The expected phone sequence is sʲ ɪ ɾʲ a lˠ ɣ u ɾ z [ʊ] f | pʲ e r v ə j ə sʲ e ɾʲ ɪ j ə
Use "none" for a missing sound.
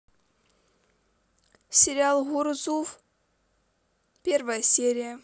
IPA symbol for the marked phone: u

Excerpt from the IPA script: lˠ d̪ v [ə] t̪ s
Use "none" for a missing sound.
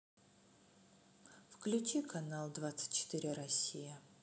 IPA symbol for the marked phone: a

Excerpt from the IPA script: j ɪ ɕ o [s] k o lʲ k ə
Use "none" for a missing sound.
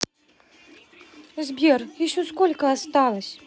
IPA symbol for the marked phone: s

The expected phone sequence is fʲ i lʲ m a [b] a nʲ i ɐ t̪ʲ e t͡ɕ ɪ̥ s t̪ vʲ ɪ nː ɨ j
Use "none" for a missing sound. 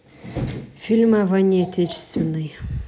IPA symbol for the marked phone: v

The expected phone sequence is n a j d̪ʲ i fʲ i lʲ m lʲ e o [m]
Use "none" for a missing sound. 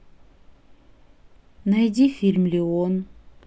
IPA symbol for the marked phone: n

